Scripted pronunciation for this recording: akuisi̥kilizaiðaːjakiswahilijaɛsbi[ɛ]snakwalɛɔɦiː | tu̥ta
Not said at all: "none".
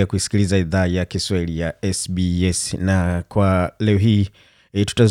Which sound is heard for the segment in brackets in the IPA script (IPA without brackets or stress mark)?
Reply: ɛ